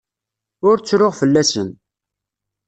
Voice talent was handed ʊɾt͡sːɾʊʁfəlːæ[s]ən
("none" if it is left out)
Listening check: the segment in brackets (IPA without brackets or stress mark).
s